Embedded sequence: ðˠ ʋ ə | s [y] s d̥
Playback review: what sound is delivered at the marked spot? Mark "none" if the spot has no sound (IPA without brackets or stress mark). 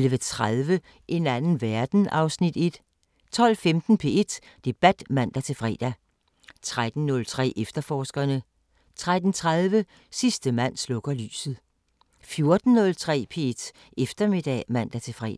i